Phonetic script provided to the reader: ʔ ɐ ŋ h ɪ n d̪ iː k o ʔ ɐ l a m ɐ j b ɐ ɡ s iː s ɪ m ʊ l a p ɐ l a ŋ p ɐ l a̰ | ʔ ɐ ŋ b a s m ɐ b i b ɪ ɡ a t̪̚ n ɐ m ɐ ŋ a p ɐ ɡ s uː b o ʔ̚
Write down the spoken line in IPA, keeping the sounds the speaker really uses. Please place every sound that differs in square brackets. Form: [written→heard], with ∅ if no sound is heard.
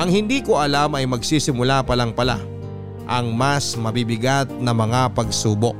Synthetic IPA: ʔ ɐ ŋ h ɪ n d̪ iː k o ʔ ɐ l a m ɐ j [b→m] ɐ ɡ s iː s ɪ m ʊ l a p ɐ l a ŋ p ɐ l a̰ | ʔ ɐ ŋ [b→m] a s m ɐ b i b ɪ ɡ a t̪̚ n ɐ m ɐ ŋ a p ɐ ɡ s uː b o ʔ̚